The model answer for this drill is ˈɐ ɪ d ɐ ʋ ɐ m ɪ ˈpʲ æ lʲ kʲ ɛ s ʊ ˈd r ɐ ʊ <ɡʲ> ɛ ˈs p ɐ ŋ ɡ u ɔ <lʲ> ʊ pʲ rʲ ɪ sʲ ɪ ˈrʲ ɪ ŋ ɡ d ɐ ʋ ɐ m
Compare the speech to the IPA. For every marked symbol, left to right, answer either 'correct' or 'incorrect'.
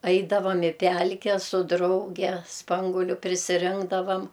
correct, correct

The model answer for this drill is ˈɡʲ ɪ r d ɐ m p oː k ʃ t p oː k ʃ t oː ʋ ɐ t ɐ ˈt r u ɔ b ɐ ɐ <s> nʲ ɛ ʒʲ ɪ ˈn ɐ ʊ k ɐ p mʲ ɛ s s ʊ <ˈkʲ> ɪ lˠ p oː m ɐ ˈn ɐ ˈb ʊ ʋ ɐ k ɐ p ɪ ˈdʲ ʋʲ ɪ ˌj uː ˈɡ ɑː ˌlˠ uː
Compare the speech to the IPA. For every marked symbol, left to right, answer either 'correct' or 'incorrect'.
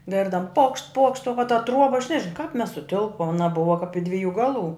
incorrect, incorrect

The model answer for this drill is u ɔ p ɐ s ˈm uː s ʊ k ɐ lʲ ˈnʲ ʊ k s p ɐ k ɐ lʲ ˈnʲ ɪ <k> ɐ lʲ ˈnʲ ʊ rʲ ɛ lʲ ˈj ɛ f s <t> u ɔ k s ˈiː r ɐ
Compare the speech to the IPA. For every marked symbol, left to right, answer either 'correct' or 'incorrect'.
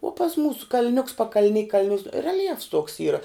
correct, correct

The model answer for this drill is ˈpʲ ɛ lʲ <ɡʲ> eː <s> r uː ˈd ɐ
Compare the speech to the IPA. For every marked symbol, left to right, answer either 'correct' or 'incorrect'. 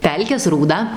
incorrect, correct

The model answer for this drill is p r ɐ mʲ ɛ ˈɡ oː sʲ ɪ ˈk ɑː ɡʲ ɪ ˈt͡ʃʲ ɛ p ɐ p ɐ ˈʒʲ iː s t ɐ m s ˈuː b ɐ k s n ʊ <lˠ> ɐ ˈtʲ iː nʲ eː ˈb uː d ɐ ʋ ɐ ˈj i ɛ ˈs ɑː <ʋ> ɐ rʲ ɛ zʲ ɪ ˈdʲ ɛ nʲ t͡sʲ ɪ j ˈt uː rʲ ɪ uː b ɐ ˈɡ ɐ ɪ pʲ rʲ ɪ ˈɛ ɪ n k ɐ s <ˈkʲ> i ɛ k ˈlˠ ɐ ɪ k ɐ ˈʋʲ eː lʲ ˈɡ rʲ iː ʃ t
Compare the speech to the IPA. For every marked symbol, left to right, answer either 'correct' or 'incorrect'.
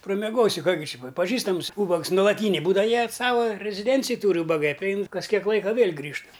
correct, correct, correct

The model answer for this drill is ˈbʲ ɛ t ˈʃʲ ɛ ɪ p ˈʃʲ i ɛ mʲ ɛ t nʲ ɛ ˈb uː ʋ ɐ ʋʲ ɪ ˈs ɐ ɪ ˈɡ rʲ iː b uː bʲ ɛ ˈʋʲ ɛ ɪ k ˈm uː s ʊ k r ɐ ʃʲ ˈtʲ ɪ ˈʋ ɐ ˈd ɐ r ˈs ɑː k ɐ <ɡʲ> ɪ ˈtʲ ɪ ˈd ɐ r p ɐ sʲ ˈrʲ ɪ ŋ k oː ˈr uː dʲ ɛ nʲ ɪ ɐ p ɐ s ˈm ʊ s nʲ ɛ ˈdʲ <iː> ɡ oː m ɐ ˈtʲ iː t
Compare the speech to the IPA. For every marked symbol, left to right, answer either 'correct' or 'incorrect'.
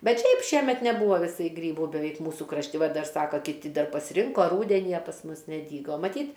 incorrect, correct

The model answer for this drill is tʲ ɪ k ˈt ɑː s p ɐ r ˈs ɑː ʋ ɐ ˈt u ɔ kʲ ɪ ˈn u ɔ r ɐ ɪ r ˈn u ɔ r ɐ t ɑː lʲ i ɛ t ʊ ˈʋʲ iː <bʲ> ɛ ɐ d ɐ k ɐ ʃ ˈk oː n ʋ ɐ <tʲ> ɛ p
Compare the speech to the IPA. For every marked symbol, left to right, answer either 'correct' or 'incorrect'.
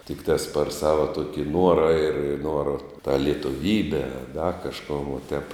correct, correct

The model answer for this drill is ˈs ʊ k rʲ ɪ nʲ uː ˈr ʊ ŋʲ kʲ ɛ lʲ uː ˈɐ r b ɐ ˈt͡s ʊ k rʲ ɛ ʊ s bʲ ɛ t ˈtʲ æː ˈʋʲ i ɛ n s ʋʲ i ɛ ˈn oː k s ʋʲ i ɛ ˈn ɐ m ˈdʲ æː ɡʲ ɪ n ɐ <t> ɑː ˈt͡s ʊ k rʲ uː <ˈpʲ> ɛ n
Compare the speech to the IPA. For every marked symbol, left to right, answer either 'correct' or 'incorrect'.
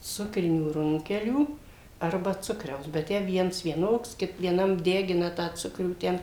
correct, incorrect

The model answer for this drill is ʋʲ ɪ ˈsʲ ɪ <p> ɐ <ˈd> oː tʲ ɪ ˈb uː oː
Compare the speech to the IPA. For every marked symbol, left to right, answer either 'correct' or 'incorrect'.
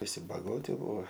incorrect, incorrect

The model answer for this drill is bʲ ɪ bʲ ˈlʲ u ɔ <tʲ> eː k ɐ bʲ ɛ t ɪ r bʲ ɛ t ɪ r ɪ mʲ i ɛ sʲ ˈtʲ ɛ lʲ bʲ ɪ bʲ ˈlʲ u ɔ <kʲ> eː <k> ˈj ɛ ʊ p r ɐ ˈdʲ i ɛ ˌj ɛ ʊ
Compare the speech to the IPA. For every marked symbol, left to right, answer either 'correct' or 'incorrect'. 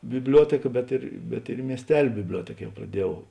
correct, incorrect, correct

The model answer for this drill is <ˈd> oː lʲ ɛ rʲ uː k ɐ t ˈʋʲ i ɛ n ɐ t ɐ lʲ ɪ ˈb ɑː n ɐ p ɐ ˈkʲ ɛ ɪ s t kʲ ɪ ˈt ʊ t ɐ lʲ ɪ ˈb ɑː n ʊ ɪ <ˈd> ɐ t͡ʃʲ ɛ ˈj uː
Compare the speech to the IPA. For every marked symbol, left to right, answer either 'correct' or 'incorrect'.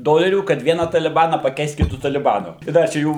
correct, correct

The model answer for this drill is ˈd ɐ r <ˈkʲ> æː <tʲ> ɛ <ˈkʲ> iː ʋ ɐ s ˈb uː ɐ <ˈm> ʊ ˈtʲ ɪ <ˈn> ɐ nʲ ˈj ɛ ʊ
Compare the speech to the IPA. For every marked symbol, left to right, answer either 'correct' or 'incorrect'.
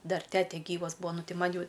incorrect, correct, incorrect, incorrect, incorrect

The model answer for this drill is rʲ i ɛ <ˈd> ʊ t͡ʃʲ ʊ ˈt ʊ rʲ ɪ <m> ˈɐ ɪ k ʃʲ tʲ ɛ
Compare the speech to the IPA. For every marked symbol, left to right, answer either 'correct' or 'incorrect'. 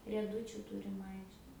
correct, correct

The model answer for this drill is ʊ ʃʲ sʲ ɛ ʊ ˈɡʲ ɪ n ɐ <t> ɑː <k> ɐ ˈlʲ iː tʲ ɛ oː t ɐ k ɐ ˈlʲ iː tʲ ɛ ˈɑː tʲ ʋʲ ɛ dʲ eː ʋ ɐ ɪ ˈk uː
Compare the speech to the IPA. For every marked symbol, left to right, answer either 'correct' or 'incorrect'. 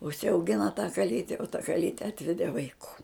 correct, correct

